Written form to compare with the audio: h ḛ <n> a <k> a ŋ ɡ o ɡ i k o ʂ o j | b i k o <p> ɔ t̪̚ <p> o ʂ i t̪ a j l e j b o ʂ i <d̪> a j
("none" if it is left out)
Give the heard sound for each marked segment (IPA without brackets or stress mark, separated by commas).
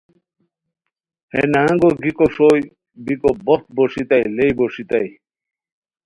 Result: n, none, b, b, t̪